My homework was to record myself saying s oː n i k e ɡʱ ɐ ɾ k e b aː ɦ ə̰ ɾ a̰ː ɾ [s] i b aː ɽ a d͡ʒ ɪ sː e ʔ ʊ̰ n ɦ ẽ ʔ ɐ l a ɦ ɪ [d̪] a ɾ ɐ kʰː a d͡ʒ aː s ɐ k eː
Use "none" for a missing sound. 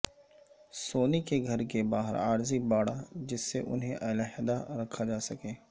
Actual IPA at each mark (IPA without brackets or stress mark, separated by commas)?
z, d̪